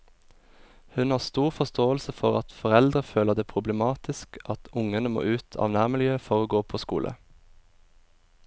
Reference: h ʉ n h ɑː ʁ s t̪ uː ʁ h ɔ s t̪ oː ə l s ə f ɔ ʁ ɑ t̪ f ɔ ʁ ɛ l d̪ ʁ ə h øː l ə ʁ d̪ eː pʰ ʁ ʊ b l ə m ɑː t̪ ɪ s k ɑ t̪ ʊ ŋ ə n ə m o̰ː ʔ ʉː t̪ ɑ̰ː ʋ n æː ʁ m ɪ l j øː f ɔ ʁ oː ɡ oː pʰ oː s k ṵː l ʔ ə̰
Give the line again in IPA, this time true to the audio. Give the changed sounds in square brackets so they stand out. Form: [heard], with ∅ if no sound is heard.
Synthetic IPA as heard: h ʉ n h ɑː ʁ s t̪ uː ʁ [f] ɔ s t̪ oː ə l s ə f ɔ ʁ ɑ t̪ f ɔ ʁ ɛ l d̪ ʁ ə [f] øː l ə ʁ d̪ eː pʰ ʁ ʊ b l ə m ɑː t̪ ɪ s k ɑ t̪ ʊ ŋ ə n ə m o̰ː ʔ ʉː [t̪ʰ] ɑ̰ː ʋ n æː ʁ m ɪ l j øː f ɔ ʁ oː ɡ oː pʰ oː s k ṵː l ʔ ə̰